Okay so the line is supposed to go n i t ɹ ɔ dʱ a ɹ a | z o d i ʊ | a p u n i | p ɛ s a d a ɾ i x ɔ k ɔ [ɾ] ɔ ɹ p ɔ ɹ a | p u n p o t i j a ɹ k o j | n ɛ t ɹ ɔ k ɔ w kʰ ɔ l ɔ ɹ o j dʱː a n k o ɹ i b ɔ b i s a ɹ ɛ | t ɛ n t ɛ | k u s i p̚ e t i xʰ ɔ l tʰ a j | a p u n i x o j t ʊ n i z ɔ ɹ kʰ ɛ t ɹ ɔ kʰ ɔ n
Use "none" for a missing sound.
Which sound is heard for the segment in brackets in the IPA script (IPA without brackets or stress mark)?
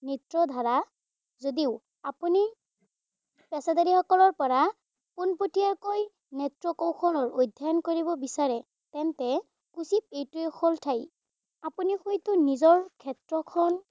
l